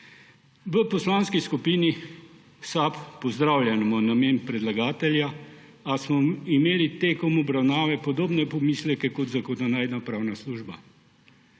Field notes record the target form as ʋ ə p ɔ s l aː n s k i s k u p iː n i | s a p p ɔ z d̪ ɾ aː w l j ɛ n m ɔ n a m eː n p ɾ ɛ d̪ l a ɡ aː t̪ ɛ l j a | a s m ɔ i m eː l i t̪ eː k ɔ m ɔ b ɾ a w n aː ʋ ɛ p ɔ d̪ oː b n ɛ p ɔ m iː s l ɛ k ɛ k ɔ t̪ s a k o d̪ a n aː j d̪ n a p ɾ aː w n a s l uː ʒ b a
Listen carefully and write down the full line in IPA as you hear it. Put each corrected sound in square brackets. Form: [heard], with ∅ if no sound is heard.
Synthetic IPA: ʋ ə p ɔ s l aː n s k i s k u p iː n i | s a p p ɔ z d̪ ɾ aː w l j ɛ n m ɔ n a m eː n p ɾ ɛ d̪ l a ɡ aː t̪ ɛ l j a | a s m ɔ i m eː l i t̪ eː k ɔ m ɔ b ɾ a w n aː ʋ ɛ p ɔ d̪ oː b n ɛ p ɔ m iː s l ɛ k ɛ k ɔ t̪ [z] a k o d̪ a n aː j d̪ n a p ɾ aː w n a s l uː ʒ b a